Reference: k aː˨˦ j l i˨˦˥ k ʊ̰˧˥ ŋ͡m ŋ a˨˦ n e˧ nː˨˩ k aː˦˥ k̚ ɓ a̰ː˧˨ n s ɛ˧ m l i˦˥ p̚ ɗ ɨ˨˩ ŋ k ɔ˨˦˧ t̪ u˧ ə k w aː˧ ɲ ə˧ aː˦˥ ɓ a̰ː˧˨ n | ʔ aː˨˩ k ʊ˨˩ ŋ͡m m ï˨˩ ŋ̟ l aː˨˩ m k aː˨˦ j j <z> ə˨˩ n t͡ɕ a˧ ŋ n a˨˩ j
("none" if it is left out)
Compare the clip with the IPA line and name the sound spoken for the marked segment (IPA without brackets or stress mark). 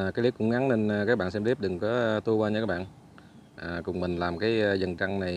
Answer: z